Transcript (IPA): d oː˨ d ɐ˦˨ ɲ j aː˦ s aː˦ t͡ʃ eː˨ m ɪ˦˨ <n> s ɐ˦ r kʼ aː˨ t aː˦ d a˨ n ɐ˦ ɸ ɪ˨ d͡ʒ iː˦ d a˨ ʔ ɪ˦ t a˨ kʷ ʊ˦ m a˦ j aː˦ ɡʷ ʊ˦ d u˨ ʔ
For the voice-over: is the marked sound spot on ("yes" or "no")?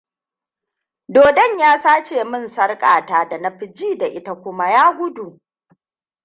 yes